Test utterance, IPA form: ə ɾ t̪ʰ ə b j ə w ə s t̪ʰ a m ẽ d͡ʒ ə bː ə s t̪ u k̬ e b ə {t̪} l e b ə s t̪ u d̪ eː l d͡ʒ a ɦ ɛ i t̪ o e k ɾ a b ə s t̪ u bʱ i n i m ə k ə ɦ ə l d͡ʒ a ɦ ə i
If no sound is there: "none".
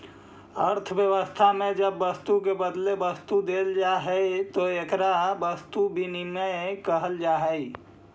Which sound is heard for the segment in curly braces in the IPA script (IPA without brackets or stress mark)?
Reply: d̪